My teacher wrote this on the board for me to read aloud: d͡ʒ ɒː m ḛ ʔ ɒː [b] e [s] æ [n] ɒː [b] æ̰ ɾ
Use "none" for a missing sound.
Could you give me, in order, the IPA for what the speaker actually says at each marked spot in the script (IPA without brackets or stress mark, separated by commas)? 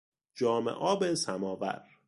b, s, m, v